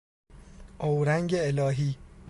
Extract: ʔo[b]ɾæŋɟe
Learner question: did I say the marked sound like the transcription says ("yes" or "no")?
no